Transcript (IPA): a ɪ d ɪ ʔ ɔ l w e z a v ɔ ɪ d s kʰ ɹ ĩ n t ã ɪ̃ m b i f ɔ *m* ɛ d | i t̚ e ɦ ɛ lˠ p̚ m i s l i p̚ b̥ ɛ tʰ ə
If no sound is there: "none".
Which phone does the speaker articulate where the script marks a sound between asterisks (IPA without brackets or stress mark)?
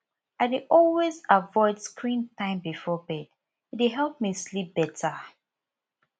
b